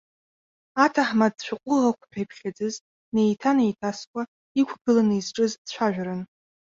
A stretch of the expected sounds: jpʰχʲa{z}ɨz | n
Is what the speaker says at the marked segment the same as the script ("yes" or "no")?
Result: no